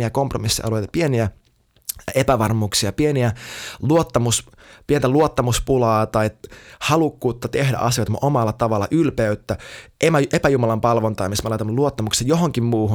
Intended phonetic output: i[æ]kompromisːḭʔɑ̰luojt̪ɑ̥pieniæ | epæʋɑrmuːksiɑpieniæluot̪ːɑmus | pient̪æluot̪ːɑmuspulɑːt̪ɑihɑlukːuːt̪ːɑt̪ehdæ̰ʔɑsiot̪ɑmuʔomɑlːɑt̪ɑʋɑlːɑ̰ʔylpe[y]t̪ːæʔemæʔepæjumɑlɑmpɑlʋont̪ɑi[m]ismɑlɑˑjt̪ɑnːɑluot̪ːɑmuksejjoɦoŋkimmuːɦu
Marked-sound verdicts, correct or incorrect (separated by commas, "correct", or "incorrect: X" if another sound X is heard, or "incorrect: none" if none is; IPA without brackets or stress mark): correct, correct, correct